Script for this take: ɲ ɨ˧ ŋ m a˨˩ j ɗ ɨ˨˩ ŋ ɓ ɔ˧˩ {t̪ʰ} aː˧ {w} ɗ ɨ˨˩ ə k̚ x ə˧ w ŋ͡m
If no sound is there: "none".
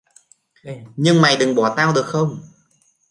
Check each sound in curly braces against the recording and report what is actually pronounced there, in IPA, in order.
t̪, w

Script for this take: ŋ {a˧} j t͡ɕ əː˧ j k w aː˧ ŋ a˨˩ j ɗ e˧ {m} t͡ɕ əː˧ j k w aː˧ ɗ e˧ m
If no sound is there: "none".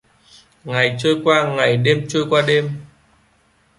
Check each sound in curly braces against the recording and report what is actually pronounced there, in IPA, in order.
a˨˩, m

